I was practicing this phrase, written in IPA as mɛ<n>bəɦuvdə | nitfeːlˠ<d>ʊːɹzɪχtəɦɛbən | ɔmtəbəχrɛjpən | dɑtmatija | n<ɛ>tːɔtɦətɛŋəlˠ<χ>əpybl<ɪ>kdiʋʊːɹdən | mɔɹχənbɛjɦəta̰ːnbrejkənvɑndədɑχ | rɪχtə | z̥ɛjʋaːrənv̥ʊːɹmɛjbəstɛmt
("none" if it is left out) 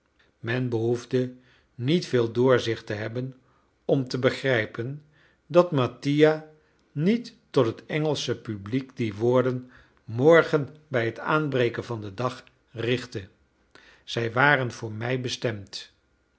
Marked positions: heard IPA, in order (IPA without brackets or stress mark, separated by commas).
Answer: n, d, i, s, i